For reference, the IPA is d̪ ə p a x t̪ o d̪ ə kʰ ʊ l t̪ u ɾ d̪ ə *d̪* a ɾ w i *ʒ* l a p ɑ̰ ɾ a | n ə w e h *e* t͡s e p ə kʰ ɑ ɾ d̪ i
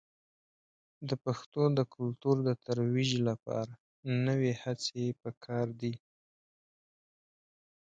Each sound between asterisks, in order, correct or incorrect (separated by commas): incorrect, correct, incorrect